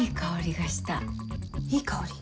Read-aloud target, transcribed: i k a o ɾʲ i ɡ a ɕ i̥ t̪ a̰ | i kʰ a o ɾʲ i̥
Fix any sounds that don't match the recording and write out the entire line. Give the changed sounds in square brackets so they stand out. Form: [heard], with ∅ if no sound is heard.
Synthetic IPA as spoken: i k a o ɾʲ i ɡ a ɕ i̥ t̪ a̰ | i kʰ a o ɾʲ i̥